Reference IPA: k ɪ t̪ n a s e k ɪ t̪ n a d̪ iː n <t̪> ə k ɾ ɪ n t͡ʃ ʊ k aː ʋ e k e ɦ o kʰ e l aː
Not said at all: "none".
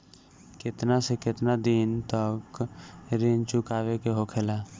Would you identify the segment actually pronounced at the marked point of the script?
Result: t̪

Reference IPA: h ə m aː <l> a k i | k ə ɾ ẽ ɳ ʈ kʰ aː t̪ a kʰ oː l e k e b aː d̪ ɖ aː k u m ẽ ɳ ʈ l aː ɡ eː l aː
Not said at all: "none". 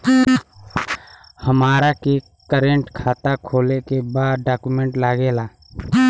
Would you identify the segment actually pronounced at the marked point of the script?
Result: ɾ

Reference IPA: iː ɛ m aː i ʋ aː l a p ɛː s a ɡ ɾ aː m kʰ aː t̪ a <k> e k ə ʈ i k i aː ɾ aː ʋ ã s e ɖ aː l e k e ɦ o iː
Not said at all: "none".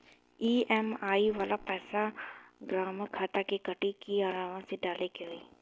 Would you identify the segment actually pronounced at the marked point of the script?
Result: k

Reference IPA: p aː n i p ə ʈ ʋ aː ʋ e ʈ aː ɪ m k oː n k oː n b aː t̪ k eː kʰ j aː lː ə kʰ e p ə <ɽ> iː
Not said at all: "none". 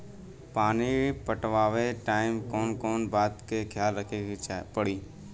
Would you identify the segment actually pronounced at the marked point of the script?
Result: ɽ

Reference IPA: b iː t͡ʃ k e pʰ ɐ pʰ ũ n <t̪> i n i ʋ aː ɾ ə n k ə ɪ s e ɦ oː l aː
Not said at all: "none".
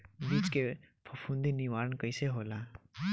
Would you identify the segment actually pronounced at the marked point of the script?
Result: d̪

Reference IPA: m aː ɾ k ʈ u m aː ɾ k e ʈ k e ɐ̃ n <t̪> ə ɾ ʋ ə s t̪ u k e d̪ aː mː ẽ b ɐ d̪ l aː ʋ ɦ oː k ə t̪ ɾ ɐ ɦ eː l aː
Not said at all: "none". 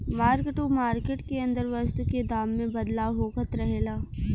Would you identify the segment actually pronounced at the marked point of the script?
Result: d̪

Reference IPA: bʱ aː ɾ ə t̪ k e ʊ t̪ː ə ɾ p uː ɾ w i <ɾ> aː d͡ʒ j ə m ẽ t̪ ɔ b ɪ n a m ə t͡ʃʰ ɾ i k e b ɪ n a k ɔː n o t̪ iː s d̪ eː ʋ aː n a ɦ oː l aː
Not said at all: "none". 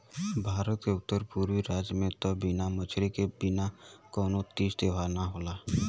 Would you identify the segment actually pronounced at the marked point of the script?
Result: ɾ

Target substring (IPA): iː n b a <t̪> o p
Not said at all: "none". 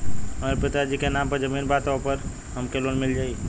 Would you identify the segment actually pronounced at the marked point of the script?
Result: t̪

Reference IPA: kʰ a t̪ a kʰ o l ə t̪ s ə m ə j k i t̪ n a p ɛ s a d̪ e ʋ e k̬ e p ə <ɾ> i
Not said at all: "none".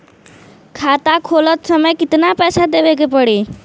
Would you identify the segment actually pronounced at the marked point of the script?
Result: ɽ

